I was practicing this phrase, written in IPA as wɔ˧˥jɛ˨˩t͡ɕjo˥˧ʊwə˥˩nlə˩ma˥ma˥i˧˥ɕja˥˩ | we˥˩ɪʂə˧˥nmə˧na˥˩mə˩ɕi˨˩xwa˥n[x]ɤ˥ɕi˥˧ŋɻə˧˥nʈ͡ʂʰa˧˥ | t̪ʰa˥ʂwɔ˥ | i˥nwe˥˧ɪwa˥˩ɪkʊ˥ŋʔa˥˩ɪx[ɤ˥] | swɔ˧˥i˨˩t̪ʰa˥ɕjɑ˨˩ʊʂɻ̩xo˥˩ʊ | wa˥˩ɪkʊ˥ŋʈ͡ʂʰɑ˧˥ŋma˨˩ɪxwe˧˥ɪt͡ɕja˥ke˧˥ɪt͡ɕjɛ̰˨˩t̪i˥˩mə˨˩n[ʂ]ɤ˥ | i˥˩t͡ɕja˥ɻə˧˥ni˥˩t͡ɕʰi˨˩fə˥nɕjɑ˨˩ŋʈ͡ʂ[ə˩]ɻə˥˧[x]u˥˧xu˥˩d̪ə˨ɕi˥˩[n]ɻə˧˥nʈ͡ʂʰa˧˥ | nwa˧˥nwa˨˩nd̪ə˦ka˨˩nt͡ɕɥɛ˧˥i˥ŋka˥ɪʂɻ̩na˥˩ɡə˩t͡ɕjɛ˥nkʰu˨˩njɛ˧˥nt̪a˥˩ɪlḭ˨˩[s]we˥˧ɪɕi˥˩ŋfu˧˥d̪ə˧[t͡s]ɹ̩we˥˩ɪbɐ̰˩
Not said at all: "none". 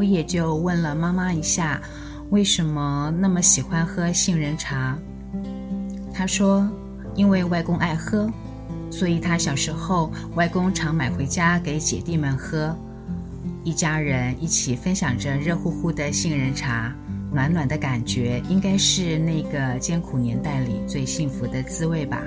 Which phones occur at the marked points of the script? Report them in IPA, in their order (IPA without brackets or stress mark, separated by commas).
x, ɤ˥, x, ə˦, x, ŋ, t͡s, t͡s